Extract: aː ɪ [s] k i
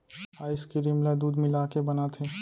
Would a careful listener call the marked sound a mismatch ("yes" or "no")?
no